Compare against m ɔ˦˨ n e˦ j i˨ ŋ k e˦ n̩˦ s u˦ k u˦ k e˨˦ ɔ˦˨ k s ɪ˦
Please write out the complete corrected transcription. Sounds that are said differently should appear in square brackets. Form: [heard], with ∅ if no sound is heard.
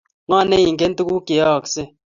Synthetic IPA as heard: [ŋ] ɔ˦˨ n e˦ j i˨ ŋ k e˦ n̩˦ [t] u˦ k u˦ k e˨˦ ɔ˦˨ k s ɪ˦